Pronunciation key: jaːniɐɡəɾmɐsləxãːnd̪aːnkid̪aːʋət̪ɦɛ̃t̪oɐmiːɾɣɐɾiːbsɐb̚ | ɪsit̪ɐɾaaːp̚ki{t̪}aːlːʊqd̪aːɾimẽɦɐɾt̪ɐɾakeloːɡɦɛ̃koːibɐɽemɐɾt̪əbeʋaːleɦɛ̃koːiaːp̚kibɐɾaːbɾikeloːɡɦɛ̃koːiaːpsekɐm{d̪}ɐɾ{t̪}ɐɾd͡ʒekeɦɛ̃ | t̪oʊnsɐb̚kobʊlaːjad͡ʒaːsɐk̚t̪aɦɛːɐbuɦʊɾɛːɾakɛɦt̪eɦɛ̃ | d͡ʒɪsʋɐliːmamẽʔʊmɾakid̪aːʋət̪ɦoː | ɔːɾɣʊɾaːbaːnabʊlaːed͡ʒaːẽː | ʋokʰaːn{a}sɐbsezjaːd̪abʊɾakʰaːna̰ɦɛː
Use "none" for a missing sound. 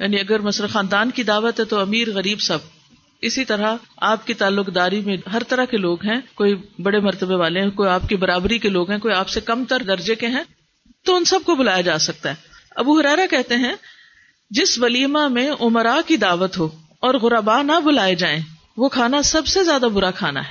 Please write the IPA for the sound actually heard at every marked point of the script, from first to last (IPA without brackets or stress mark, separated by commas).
t̪, t̪, d̪, a